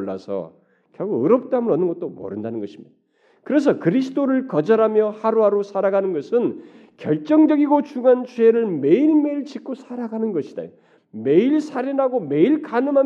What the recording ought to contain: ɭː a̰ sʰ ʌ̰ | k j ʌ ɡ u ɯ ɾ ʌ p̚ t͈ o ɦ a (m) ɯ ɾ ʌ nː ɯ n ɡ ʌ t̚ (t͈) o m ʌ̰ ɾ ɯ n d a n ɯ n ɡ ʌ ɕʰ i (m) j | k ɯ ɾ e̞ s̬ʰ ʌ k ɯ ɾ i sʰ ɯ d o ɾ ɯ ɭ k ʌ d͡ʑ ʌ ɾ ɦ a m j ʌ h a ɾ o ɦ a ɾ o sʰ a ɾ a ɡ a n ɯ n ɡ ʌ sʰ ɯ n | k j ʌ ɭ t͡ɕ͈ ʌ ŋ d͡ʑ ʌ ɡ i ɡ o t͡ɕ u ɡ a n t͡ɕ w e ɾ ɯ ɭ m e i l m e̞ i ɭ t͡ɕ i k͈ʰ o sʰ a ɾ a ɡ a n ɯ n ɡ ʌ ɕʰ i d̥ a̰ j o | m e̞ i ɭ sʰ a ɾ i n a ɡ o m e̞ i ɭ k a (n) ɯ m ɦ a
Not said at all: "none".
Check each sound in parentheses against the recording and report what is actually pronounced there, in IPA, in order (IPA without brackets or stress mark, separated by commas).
m, t͈, m, n